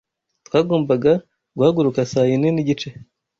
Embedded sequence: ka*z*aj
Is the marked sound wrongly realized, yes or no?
yes